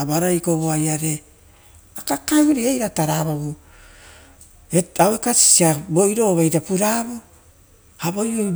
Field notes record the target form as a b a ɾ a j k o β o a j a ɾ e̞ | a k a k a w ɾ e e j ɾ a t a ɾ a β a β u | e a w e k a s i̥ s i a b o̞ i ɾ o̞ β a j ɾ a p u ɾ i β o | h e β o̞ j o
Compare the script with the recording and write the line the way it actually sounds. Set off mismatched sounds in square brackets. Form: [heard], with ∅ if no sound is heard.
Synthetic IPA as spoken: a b a ɾ a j k o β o a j a ɾ e̞ | a k a k a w ɾ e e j ɾ a t a ɾ a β a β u | e a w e k a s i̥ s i a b o̞ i ɾ o̞ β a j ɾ a p u ɾ [a] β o | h [a] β o̞ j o